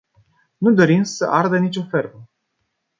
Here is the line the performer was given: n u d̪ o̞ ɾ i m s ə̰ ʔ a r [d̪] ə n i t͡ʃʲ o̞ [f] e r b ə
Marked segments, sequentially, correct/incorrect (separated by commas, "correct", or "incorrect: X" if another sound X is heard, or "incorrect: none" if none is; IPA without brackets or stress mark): correct, correct